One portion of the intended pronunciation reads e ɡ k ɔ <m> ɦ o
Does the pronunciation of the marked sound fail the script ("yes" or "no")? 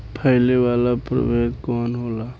yes